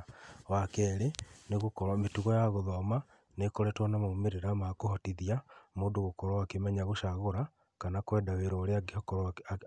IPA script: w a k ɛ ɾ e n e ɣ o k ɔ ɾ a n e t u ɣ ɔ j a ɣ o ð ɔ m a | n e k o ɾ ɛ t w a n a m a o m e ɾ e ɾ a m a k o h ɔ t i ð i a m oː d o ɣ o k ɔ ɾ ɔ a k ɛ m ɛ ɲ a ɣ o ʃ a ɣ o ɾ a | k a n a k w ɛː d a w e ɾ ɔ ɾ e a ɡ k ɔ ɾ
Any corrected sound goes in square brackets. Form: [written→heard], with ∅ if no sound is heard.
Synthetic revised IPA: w a k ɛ ɾ e n e ɣ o k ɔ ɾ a [n→m] e t u ɣ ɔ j a ɣ o ð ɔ m a | n e k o ɾ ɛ t w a n a m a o m e ɾ e ɾ a m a k o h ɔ t i ð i a m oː d o ɣ o k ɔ ɾ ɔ a k [ɛ→e] m ɛ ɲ a ɣ o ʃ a ɣ o ɾ a | k a n a k w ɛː d a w e ɾ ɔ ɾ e a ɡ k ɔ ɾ